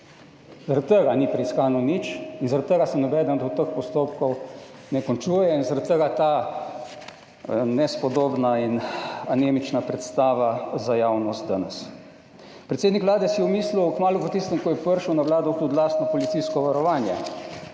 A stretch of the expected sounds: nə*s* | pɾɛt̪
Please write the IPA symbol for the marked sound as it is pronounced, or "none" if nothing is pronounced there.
s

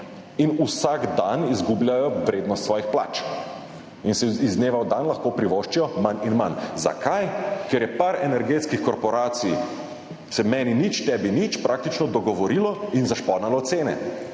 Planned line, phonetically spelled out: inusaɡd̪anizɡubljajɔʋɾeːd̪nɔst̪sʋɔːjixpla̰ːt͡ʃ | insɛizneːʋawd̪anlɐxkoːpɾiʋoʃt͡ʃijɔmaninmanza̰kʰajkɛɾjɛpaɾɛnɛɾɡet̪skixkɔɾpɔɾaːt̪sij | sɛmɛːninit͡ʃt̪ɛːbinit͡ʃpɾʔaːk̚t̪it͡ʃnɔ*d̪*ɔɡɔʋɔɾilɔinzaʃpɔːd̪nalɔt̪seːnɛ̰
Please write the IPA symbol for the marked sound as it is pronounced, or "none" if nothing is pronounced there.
d̪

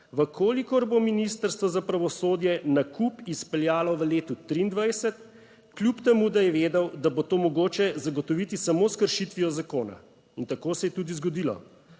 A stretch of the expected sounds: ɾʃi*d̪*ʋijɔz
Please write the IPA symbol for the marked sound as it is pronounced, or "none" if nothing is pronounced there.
t̪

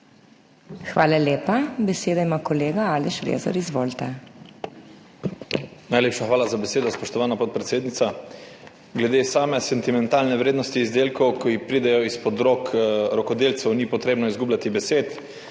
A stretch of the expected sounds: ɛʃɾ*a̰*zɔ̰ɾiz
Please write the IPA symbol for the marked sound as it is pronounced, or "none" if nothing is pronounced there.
ḛ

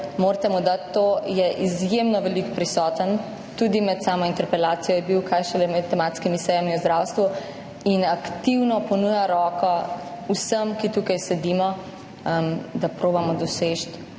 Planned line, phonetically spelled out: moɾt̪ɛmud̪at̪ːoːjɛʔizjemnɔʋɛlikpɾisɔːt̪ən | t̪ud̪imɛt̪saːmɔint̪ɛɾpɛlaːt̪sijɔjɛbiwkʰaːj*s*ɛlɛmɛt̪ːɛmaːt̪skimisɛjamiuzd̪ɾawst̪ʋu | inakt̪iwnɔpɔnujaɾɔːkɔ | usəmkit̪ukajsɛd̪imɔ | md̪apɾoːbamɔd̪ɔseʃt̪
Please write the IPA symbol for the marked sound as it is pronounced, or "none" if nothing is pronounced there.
ʃ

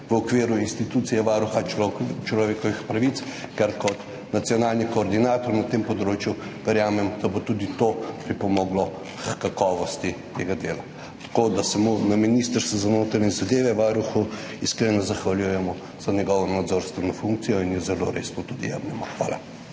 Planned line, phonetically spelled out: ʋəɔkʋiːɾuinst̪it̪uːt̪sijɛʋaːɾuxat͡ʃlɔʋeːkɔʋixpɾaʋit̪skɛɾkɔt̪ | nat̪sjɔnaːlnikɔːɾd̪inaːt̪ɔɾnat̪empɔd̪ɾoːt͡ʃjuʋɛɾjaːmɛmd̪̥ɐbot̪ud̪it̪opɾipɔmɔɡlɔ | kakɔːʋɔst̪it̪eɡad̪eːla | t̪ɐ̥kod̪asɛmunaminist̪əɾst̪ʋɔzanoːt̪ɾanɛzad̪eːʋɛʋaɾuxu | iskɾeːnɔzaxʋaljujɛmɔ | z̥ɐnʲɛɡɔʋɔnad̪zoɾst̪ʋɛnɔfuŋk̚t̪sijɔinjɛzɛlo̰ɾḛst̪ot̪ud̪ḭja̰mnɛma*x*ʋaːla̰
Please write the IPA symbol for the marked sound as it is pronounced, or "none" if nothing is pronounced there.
x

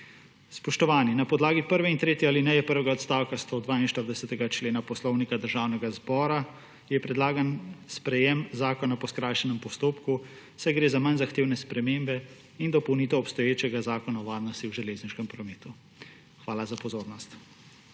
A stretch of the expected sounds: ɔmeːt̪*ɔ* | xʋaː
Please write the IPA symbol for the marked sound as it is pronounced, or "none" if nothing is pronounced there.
u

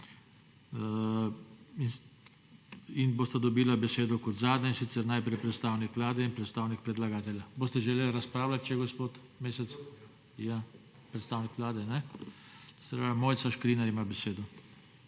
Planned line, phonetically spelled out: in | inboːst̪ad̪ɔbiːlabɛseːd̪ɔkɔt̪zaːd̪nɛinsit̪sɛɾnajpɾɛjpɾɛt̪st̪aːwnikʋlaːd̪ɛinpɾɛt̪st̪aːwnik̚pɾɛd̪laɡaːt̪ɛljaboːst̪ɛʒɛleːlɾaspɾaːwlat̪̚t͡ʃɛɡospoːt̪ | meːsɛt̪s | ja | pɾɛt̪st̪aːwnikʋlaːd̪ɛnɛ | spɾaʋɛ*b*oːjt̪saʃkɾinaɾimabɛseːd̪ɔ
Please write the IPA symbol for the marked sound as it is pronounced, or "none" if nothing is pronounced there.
m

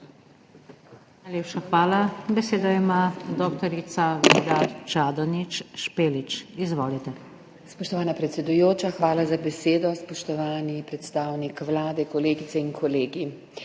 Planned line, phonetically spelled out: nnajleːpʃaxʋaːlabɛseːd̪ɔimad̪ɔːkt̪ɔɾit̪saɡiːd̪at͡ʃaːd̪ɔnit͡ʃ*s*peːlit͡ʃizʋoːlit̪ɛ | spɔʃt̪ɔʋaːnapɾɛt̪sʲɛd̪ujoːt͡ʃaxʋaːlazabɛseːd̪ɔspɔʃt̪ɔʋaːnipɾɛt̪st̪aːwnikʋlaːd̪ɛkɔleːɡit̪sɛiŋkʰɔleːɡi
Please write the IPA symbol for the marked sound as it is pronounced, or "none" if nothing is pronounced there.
ʃ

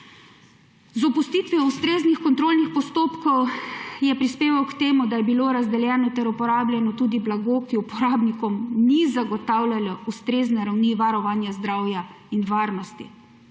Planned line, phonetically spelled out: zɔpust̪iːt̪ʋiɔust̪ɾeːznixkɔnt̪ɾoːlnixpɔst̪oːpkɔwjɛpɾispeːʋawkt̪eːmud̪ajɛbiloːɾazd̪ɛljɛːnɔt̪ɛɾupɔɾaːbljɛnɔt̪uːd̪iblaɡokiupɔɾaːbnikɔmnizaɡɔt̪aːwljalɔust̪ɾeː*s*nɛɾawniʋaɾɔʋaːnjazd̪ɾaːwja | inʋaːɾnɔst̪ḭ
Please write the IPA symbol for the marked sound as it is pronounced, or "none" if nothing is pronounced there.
z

